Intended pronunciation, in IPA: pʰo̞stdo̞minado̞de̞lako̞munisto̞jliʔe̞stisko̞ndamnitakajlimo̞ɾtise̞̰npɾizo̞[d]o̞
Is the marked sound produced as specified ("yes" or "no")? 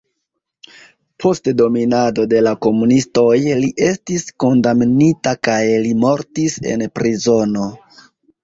no